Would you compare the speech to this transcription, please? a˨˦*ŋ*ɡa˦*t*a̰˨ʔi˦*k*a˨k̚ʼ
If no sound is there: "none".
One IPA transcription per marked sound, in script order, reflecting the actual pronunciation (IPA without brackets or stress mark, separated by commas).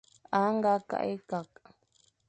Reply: ŋ, k, k